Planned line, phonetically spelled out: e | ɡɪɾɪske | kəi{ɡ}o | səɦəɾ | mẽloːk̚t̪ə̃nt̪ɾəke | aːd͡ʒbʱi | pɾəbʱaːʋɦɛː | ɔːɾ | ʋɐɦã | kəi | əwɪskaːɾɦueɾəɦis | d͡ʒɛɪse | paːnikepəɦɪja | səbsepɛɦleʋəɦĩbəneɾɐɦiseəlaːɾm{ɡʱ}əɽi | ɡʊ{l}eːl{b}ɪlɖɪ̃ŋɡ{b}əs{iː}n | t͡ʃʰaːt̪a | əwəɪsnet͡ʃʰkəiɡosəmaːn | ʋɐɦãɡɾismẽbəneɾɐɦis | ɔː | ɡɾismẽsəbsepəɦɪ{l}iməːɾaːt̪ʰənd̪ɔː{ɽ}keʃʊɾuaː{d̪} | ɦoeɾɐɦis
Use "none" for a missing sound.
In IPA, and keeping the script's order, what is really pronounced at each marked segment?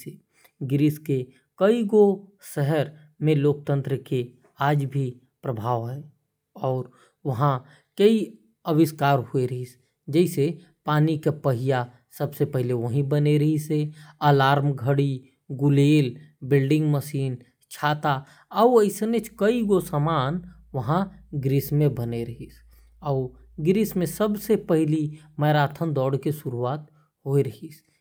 ɡ, ɡʱ, l, b, m, iː, l, ɽ, t̪

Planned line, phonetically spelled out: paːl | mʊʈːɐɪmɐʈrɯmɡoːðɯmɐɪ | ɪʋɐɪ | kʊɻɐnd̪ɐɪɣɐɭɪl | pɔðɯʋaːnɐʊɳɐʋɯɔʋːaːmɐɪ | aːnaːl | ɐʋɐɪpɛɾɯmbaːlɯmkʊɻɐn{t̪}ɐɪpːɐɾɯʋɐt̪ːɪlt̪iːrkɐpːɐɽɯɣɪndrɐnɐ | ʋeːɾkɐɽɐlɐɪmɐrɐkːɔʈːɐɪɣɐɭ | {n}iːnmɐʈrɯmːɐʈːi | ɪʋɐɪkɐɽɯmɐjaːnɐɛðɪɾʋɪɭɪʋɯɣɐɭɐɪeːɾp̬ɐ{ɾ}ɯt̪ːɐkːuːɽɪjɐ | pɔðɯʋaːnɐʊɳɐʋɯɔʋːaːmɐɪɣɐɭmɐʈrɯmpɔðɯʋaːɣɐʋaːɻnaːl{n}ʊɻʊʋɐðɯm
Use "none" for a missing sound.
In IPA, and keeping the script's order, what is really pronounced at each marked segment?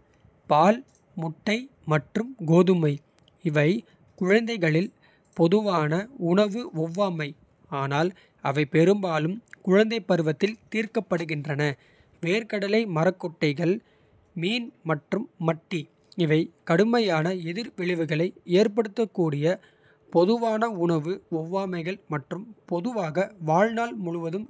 d̪, m, ɽ, m

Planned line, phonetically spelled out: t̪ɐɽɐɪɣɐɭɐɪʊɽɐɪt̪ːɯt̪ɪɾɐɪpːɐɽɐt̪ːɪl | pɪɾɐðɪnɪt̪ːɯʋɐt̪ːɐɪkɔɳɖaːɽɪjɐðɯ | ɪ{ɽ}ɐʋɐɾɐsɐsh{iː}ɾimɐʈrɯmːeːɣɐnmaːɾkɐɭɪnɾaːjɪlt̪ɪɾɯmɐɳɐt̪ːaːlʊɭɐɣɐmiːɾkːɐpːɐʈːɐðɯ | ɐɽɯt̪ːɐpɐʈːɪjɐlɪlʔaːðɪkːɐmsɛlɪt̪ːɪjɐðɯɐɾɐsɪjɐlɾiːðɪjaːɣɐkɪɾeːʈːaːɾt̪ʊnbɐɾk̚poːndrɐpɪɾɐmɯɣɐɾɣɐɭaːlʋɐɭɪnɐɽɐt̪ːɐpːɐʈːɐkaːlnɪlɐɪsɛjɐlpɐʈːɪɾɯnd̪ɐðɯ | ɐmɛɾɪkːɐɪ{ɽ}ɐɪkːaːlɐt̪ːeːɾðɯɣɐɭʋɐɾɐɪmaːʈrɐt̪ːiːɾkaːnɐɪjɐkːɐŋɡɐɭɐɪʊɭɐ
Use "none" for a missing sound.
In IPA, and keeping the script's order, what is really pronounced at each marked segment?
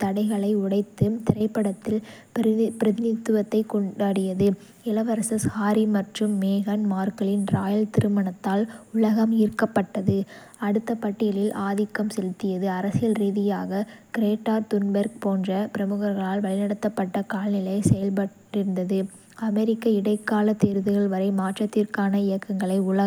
l, aː, ɽ

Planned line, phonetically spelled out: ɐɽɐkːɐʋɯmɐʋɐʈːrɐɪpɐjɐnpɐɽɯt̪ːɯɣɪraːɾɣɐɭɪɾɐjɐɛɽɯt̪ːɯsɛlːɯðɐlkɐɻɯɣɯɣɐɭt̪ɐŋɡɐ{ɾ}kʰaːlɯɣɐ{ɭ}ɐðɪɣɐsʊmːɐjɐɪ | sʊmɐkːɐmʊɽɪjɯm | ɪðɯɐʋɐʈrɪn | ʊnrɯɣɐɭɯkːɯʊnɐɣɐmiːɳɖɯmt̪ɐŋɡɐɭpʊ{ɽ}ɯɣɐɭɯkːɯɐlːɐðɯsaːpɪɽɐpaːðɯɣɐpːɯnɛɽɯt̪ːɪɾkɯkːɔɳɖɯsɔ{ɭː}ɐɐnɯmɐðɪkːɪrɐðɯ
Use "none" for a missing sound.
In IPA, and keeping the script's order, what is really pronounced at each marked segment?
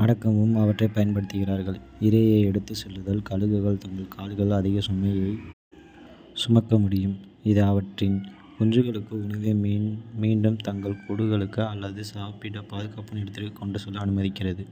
ɭ, ɭ, ɽ, lː

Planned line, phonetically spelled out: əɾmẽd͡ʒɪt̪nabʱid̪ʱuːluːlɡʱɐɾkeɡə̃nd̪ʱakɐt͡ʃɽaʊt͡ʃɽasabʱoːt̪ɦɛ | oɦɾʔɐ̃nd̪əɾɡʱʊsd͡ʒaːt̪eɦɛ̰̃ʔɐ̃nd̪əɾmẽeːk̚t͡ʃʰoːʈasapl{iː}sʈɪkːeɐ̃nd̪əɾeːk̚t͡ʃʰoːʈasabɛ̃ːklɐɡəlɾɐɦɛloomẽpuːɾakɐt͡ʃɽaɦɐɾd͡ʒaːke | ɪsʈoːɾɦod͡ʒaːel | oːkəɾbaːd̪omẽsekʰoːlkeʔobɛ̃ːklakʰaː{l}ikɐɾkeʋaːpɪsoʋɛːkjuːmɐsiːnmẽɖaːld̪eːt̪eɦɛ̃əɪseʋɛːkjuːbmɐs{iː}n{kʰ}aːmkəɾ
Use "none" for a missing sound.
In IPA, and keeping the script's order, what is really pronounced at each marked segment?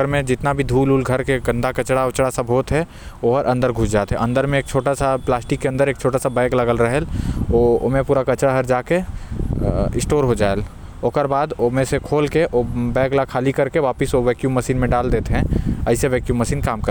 aː, l, iː, k

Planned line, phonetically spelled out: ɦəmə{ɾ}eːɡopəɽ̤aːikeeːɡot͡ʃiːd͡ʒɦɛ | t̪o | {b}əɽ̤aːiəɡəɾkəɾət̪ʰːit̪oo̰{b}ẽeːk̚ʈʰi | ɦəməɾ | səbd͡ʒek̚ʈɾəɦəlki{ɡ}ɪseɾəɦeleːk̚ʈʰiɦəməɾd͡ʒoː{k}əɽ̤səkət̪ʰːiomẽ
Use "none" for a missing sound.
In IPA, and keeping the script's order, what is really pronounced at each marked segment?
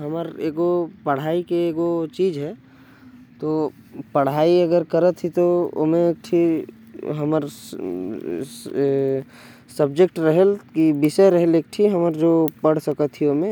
ɾ, p, m, b, p

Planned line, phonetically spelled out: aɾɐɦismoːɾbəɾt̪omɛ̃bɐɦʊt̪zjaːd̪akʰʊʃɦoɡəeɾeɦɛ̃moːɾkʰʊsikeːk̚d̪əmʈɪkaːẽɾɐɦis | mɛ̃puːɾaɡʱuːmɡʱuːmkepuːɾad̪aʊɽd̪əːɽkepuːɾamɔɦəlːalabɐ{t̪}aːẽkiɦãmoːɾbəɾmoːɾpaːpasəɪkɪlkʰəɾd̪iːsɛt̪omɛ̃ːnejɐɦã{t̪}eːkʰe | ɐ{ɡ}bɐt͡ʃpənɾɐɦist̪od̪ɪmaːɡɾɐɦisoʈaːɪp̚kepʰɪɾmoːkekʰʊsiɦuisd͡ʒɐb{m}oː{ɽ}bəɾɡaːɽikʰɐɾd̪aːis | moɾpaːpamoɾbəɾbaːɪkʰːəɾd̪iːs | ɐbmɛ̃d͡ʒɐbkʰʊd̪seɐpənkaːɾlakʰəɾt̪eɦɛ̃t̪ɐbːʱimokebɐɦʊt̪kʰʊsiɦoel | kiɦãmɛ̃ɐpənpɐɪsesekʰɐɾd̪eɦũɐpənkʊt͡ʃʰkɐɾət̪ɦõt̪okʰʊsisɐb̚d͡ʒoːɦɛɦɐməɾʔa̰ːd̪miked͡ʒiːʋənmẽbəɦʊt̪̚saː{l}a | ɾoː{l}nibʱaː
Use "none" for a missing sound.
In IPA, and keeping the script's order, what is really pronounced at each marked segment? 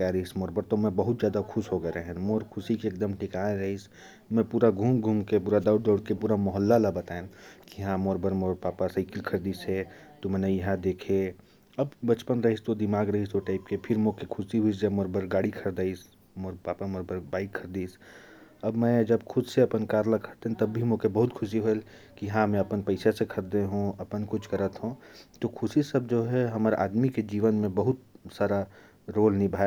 t̪, d̪, b, m, ɾ, ɾ, l

